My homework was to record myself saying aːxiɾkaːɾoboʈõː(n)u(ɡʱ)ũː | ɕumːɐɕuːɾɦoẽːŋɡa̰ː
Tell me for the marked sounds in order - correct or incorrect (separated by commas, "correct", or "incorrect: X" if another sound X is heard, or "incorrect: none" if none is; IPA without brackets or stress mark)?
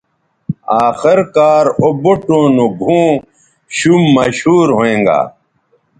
correct, correct